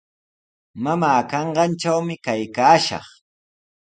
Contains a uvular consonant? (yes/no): yes